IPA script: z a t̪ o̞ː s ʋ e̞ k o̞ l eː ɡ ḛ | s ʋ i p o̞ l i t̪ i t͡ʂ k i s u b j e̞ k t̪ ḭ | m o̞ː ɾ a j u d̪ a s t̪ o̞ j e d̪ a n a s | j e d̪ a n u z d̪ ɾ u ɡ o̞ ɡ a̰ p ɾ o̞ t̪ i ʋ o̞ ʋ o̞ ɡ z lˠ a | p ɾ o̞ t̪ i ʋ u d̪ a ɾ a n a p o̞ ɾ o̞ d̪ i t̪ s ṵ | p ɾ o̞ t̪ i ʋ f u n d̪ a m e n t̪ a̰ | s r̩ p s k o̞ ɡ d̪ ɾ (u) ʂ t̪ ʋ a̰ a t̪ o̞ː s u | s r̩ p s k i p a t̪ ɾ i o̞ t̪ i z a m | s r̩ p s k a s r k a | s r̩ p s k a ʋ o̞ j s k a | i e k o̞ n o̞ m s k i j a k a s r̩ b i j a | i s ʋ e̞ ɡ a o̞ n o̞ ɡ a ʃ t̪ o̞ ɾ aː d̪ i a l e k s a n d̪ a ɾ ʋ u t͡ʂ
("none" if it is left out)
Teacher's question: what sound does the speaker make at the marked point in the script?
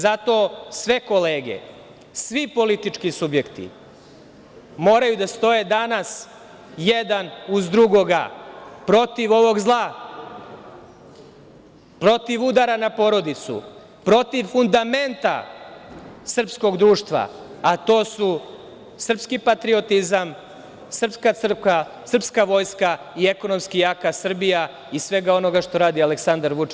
uː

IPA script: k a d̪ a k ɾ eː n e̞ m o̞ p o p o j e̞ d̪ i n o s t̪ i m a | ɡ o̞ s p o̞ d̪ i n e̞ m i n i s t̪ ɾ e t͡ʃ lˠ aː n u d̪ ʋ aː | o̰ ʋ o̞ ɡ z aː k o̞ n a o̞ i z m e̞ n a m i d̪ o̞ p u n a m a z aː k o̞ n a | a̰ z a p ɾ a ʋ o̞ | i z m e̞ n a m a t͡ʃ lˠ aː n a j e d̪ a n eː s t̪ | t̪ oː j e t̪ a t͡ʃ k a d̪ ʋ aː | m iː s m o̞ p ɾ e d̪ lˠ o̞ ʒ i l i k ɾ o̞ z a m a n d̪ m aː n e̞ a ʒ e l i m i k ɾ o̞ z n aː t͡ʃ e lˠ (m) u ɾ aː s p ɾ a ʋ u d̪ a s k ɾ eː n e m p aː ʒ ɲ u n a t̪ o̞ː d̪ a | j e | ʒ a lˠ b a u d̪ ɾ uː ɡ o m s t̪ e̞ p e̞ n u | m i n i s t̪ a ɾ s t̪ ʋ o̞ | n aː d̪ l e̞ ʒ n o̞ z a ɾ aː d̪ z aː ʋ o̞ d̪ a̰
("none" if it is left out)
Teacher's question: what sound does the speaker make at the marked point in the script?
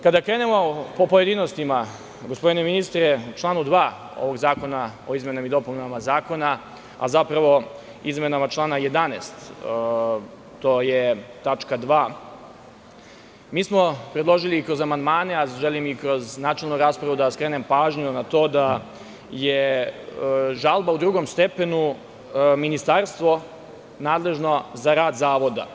n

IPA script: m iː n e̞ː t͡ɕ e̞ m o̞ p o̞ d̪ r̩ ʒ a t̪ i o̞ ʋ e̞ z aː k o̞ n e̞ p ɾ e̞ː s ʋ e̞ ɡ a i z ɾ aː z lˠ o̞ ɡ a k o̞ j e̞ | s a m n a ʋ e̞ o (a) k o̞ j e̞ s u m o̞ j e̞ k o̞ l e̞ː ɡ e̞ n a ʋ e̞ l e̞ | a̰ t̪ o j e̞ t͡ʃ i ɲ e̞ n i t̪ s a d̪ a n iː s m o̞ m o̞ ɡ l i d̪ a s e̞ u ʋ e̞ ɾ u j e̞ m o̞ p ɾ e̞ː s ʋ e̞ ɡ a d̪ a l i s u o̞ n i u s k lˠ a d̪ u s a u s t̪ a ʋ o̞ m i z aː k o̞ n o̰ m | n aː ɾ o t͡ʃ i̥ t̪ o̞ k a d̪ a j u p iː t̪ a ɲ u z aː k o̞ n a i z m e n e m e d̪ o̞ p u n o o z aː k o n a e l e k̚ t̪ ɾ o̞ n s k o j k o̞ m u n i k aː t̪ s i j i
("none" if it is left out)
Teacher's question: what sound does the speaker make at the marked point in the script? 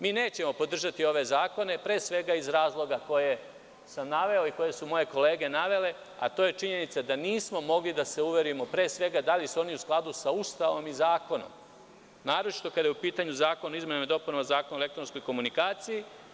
i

